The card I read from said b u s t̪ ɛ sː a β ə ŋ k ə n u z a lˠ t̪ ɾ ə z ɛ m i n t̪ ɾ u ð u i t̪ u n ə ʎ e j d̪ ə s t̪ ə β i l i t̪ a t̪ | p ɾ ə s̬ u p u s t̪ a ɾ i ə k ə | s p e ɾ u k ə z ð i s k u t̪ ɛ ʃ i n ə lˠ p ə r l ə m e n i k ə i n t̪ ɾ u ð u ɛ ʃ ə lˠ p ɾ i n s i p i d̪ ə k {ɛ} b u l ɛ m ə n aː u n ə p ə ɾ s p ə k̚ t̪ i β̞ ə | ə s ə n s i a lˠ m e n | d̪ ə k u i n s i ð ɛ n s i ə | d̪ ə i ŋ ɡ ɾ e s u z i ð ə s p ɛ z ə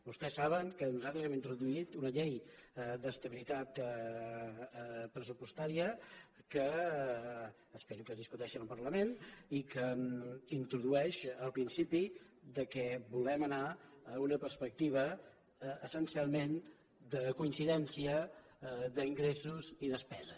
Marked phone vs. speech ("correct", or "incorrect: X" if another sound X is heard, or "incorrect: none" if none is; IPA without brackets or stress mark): correct